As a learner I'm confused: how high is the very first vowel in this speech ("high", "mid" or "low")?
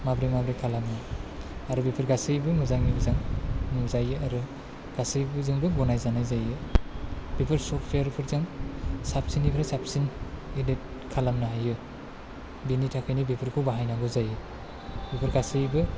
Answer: low